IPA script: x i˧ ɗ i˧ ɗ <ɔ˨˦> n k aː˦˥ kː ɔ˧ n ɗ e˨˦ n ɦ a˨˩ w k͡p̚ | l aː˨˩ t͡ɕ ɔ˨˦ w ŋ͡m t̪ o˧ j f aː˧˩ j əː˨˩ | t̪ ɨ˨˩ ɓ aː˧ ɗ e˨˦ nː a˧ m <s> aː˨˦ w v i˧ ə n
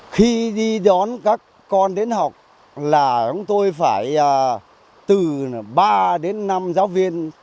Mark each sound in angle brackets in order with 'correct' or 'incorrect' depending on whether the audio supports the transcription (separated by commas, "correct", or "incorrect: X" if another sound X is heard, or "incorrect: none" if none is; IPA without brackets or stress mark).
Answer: correct, incorrect: z